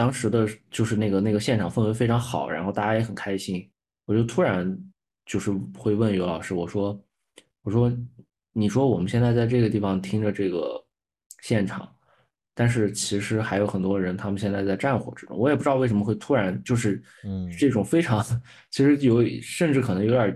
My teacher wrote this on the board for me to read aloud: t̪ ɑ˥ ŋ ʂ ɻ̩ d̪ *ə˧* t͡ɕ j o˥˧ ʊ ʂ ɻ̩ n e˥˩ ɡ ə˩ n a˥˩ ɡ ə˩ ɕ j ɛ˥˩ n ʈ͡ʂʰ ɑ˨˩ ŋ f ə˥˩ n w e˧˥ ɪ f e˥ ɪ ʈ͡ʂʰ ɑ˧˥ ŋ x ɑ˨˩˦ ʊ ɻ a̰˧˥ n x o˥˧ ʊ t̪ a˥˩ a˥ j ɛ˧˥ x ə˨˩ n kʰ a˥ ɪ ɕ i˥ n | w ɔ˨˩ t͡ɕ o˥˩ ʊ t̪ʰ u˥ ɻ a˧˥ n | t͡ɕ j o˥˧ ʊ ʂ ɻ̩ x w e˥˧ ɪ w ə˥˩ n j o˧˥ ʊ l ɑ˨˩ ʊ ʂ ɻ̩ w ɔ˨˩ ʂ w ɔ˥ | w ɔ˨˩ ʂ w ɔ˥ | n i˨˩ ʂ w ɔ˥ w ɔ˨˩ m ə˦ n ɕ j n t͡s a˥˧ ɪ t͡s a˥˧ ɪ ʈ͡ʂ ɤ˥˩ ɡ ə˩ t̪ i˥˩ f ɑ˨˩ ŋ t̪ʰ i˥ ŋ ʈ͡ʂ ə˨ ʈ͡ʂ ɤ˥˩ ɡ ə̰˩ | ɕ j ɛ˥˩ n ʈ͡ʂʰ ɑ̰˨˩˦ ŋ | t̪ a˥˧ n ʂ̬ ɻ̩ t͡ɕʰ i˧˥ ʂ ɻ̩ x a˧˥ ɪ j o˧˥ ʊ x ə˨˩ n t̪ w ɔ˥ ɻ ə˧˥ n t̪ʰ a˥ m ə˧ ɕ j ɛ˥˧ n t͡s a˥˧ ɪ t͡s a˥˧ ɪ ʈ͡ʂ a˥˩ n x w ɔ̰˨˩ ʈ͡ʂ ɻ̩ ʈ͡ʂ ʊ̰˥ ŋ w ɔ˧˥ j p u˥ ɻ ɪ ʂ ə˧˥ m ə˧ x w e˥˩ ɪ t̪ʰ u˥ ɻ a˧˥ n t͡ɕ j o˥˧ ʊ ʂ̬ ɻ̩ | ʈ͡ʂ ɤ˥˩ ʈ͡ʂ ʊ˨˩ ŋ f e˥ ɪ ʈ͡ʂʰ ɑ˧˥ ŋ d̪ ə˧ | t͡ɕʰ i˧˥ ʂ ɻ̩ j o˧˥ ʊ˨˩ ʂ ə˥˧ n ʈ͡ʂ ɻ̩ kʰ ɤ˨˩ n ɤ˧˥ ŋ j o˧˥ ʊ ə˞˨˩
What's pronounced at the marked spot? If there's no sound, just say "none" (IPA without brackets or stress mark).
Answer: ə˧